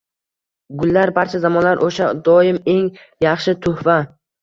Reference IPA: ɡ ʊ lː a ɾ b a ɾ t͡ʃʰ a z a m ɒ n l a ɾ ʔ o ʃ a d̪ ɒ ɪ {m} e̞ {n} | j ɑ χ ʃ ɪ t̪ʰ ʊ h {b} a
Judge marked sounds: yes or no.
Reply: yes, no, no

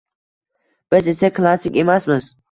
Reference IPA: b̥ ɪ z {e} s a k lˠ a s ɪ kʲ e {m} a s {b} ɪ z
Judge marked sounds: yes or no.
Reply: yes, yes, no

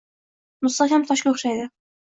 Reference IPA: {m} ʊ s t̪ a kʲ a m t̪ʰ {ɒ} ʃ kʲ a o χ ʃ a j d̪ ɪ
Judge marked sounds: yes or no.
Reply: yes, yes

